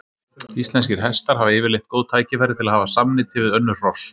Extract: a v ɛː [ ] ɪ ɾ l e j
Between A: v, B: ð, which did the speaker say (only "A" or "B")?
A